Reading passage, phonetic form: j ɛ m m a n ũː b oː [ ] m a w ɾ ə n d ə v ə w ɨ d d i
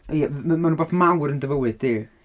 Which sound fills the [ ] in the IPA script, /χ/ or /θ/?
θ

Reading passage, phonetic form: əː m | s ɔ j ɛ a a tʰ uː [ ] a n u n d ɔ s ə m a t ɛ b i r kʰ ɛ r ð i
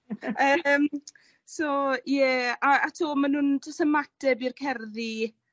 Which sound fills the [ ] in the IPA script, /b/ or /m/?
m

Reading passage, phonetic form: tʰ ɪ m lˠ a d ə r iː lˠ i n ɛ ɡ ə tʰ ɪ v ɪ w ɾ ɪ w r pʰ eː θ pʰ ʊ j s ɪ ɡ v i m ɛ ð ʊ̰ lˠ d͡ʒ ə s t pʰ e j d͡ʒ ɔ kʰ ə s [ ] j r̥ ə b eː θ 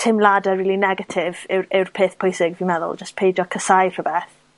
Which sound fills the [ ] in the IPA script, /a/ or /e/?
a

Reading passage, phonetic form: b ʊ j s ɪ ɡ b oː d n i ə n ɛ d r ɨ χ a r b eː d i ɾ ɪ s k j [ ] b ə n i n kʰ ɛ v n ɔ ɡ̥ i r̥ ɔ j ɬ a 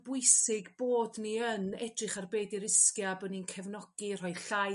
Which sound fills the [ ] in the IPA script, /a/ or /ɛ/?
a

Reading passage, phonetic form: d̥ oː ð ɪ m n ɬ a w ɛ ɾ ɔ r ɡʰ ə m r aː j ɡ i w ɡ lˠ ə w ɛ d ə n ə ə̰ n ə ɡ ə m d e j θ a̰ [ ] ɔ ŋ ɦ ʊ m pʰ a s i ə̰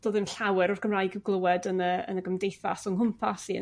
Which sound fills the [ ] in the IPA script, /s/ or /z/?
s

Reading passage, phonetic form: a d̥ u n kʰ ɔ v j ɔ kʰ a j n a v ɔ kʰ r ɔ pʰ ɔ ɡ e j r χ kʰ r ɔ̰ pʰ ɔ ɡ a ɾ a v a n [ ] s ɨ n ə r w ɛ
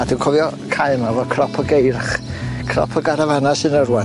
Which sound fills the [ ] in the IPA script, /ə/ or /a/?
a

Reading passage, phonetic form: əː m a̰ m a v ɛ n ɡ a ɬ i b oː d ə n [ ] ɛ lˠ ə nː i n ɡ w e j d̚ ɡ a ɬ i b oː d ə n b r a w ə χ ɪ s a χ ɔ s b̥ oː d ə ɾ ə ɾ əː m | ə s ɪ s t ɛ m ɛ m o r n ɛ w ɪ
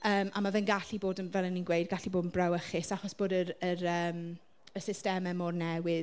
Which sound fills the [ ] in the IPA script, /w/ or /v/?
v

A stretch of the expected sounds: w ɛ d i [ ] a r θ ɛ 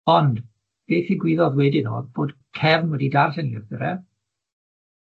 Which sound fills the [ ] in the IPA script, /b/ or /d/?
d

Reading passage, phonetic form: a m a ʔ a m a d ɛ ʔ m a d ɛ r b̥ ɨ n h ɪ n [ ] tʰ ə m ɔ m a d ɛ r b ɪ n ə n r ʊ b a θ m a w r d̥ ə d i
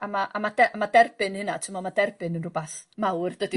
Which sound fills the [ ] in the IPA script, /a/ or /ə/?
a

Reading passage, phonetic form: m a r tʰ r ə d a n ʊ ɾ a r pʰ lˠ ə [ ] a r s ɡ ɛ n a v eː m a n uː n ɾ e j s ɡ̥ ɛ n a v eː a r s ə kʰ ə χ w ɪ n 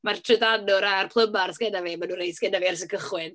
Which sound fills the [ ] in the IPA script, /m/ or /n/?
m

